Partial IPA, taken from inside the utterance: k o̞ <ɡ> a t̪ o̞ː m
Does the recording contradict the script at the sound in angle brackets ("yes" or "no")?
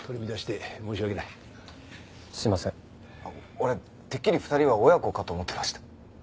yes